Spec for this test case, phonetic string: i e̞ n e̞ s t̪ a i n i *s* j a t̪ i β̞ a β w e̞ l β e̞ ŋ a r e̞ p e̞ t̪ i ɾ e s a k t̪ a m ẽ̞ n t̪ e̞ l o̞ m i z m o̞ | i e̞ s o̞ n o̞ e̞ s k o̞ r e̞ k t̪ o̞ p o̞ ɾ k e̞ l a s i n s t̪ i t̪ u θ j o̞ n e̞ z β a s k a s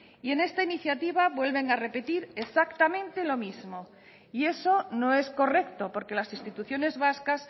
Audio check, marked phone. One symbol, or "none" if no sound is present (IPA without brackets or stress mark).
θ